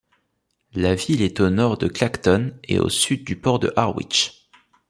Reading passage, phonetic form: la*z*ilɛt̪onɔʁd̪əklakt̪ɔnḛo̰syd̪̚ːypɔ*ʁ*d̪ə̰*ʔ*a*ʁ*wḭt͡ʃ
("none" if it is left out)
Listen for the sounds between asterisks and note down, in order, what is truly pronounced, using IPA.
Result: v, ʁ, ʔ, ʁ

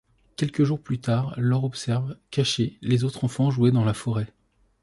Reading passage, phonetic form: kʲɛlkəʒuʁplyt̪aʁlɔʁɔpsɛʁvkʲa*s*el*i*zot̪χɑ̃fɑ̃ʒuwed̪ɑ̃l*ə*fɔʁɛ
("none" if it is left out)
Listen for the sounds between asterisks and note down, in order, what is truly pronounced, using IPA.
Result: ʃ, e, a

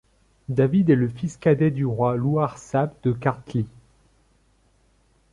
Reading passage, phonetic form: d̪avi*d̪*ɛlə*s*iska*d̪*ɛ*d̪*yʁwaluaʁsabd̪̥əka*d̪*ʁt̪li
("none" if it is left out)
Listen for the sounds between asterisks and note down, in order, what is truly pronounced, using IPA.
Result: d̪, f, d̪, d̪, none

